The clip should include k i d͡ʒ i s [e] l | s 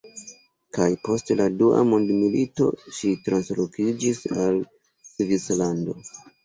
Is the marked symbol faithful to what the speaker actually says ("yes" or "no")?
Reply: no